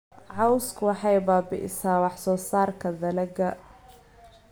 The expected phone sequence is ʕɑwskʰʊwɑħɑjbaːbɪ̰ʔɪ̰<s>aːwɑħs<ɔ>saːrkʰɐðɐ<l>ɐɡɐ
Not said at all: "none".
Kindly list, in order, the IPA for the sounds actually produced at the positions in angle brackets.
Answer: s, ɔː, l

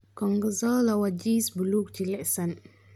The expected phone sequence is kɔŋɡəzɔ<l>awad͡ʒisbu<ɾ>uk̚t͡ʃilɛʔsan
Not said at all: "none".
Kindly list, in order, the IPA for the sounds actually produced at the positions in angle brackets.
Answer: l, l

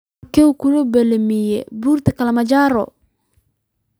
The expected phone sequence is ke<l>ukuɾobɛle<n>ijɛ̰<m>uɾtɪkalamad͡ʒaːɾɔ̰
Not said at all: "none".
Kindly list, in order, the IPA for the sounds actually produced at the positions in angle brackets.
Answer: none, m, b

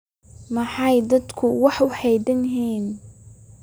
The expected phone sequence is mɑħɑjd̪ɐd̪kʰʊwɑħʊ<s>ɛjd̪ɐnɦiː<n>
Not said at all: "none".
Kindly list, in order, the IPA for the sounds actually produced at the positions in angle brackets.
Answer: ħ, n

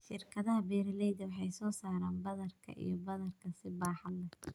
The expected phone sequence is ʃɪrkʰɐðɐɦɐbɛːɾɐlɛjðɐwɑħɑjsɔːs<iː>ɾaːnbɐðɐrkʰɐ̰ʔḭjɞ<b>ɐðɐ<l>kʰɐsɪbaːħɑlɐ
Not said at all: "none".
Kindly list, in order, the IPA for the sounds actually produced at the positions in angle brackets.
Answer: aː, b, r

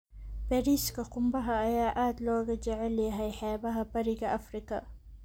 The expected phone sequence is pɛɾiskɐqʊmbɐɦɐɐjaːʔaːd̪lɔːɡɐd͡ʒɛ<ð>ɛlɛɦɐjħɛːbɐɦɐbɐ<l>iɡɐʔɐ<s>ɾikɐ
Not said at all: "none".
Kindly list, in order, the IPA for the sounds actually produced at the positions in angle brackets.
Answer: ʕ, ɾ, f

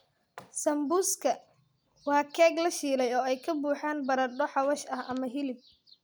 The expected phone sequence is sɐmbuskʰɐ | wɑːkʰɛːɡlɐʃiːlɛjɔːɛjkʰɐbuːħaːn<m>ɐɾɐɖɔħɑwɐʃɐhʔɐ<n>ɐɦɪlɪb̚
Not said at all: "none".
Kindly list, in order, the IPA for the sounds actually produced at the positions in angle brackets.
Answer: b, m

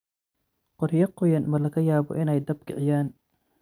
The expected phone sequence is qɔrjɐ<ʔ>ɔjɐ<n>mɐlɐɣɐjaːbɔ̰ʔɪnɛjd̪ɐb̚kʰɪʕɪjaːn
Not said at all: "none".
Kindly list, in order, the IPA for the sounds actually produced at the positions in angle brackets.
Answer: q, n

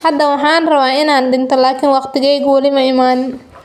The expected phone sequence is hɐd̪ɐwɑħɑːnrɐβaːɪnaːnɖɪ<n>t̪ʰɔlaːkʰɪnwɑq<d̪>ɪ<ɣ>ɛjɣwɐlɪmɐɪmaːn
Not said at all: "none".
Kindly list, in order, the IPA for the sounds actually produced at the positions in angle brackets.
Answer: n, t̪, ɣ

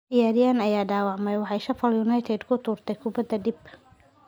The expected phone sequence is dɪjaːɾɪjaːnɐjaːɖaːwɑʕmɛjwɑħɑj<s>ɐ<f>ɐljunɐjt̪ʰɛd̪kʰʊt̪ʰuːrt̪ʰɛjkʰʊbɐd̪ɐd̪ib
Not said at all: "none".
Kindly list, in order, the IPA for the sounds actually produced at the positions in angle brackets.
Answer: ʃ, f

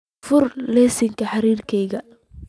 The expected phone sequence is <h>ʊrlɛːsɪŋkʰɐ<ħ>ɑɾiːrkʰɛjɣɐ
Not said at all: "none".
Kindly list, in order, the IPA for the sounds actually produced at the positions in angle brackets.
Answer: f, ħ

